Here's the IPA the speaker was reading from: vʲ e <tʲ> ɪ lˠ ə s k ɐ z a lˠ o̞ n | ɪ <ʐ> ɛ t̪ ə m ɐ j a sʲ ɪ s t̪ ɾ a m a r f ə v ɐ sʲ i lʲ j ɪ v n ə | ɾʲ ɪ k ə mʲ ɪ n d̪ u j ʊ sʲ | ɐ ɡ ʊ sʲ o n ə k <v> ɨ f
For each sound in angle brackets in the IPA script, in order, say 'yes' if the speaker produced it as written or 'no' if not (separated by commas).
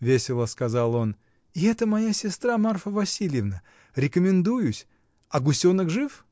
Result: no, no, no